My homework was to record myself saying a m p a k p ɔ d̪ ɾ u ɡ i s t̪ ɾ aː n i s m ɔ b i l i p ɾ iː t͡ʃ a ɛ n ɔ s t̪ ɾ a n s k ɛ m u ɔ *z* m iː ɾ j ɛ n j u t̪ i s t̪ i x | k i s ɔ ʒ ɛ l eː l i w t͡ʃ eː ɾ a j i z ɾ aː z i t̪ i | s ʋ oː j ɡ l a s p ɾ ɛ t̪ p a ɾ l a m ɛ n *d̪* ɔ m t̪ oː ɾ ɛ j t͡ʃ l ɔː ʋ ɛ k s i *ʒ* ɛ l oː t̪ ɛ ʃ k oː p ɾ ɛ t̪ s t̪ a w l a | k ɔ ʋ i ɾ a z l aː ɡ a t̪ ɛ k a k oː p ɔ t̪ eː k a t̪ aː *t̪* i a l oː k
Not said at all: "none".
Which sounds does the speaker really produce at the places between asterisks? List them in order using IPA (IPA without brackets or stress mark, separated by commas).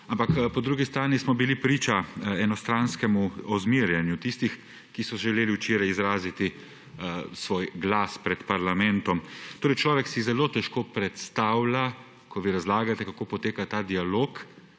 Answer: z, t̪, z, d̪